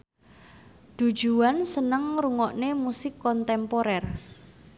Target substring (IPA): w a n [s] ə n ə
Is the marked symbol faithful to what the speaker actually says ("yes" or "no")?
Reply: yes